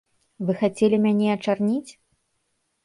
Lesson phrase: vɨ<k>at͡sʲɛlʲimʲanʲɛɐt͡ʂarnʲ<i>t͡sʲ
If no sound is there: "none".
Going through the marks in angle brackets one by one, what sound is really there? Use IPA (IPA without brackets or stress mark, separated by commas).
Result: x, i